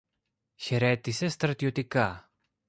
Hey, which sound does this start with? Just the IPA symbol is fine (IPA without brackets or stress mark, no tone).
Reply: ç